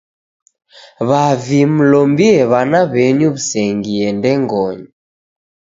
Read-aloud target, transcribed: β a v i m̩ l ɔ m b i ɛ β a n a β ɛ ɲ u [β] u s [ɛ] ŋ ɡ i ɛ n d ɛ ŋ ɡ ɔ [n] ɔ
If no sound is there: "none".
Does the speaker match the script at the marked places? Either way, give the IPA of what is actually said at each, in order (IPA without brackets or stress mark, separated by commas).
β, ɛ, ɲ